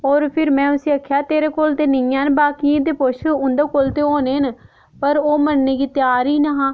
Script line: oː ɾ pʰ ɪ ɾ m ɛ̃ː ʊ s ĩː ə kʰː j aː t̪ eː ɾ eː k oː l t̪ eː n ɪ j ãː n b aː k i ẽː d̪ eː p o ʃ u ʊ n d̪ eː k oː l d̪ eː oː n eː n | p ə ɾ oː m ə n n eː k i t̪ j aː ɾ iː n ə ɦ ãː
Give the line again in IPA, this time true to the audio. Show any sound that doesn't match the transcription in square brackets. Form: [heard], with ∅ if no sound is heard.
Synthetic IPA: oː ɾ pʰ ɪ ɾ m ɛ̃ː ʊ s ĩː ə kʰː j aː t̪ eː ɾ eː k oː l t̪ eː n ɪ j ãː n b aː k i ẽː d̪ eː p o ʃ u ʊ n d̪ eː k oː l [t̪] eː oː n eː n | p ə ɾ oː m ə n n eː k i t̪ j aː ɾ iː n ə ɦ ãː